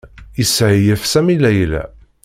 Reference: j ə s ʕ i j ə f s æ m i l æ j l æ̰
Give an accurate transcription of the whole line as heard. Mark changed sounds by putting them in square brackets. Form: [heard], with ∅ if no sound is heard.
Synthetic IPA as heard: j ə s ʕ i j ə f s æ m i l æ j l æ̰